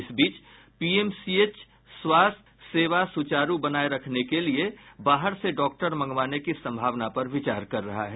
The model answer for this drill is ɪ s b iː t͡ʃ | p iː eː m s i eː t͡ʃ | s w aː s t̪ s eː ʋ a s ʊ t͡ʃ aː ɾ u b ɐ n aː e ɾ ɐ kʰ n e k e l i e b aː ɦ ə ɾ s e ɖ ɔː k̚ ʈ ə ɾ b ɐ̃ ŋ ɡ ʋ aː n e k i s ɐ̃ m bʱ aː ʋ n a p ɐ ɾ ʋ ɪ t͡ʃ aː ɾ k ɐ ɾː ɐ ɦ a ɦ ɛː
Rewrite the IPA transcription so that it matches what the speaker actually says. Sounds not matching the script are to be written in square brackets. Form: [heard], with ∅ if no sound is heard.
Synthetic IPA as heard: ɪ s b iː t͡ʃ | p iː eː m s i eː t͡ʃ | s w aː s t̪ s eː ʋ a s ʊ t͡ʃ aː ɾ u b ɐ n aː e ɾ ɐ kʰ n e k e l i e b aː ɦ ə ɾ s e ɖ ɔː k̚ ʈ ə ɾ [m] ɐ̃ ŋ ɡ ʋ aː n e k i s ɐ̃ m bʱ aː ʋ n a p ɐ ɾ ʋ ɪ t͡ʃ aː ɾ k ɐ ɾː ɐ ɦ a ɦ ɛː